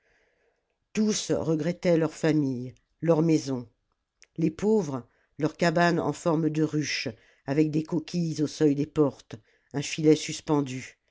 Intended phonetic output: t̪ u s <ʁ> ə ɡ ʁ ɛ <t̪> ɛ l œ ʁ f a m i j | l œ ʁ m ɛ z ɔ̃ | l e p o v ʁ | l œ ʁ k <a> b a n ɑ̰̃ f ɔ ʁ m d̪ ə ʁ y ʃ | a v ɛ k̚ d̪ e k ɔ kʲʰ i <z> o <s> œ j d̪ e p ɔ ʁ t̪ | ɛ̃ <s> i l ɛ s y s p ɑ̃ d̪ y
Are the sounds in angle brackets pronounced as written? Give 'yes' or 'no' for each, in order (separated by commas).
yes, yes, yes, yes, yes, no